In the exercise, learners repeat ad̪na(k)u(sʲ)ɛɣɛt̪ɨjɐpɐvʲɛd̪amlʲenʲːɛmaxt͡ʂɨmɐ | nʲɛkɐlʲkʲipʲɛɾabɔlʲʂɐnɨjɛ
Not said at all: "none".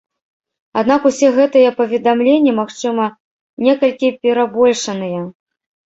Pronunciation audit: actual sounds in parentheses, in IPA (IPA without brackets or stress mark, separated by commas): k, sʲ